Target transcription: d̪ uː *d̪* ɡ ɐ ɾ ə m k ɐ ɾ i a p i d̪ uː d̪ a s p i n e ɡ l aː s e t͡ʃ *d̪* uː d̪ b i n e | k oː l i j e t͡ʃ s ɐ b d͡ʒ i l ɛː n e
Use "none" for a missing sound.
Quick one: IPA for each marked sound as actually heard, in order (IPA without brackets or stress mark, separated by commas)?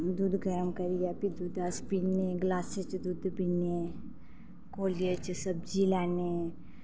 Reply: d̪, d̪